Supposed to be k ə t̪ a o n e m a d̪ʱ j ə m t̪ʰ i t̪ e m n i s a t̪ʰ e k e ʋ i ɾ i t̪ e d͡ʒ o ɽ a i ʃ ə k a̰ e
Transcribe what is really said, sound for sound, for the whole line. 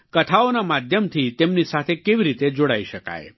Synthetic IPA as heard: k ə t̪ʰ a o n a m a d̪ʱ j ə m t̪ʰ i t̪ e m n i s a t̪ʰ e k e ʋ i ɾ i t̪ e d͡ʒ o ɽ a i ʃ ə k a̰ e